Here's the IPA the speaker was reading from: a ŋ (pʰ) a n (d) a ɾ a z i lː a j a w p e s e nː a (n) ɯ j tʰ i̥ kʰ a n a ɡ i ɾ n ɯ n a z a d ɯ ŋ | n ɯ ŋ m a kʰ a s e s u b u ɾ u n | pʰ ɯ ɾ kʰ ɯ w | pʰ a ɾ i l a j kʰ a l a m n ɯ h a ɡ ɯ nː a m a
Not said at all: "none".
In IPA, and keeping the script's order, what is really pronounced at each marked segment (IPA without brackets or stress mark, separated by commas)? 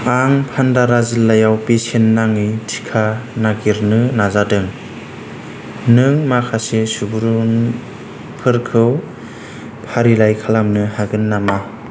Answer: pʰ, d, ŋ